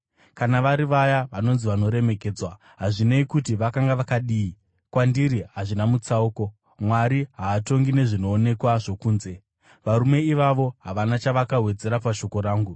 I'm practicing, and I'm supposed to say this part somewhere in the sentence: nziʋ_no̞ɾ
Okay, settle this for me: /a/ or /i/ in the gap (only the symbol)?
a